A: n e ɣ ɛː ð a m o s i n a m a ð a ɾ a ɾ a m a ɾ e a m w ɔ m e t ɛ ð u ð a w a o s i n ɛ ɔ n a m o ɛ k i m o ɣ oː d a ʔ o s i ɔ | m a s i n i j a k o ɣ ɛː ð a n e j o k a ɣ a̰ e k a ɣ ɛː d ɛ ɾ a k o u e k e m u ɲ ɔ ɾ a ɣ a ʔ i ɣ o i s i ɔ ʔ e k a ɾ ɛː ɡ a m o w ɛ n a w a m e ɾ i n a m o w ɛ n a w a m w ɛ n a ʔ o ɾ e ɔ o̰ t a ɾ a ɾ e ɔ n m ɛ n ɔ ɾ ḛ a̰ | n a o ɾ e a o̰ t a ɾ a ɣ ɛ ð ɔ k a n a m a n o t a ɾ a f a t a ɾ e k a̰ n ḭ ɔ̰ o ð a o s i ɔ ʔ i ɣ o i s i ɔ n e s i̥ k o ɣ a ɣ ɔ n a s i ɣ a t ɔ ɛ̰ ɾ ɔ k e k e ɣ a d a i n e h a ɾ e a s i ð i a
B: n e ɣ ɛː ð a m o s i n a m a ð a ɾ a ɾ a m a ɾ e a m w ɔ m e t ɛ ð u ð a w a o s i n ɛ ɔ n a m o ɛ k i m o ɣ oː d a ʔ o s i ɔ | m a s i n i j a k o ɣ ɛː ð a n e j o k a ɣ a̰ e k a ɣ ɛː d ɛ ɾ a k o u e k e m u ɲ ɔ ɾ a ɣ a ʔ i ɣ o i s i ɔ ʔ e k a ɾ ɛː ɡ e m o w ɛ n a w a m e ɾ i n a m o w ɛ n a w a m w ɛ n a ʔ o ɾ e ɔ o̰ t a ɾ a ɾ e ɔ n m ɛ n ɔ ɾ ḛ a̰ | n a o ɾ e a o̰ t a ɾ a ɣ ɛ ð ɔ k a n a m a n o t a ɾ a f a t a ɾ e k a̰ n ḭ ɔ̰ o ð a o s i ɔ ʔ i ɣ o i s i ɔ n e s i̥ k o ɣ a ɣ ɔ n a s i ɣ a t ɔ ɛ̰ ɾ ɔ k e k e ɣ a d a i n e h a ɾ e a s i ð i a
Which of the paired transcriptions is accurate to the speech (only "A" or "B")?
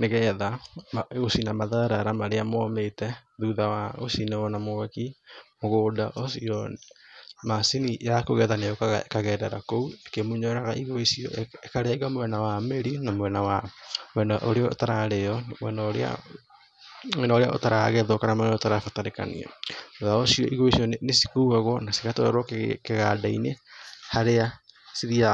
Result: A